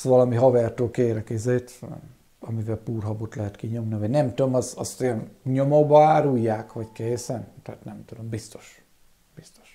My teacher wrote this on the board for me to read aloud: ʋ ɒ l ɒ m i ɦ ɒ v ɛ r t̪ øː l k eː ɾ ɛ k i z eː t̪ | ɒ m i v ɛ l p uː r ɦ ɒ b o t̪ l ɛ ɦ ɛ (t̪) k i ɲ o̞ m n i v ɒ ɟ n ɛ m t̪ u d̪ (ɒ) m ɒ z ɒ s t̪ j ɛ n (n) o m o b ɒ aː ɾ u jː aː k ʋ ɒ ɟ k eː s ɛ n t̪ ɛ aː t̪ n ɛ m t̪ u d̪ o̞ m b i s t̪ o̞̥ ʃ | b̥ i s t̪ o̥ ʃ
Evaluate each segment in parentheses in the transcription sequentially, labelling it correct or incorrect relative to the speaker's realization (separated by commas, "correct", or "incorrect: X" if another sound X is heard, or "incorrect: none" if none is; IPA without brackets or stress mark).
correct, incorrect: o, incorrect: ɲ